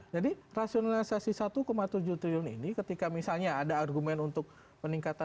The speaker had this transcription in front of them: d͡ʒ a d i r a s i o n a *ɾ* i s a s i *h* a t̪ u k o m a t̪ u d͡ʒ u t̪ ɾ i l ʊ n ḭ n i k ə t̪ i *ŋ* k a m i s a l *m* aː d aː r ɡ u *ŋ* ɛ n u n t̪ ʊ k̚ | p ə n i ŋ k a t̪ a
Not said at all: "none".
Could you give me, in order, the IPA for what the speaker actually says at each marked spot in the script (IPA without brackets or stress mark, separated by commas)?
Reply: l, s, none, ɲ, m